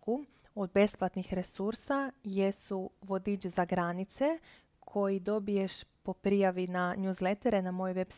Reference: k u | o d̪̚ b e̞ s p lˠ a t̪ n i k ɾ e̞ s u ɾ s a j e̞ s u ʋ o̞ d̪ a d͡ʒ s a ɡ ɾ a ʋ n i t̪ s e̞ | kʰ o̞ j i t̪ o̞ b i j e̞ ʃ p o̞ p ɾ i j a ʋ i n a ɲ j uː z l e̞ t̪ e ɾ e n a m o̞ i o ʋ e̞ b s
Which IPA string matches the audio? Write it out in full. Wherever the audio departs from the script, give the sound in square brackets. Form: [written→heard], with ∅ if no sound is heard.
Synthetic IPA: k u | o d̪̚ b e̞ s p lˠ a t̪ n i [k→x] ɾ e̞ s u ɾ s a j e̞ s u ʋ o̞ d̪ [a→i] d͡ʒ [s→z] a ɡ ɾ a [ʋ→∅] n i t̪ s e̞ | kʰ o̞ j i [t̪→d̪] o̞ b i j e̞ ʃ p o̞ p ɾ i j a ʋ i n a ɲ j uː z l e̞ t̪ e ɾ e n a m o̞ [i→j] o ʋ e̞ b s